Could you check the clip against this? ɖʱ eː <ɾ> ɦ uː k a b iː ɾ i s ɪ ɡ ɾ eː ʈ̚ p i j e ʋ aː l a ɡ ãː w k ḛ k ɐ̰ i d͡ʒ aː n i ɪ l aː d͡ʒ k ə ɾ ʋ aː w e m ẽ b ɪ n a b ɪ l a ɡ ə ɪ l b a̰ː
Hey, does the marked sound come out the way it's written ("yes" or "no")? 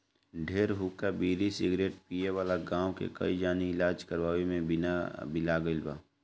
yes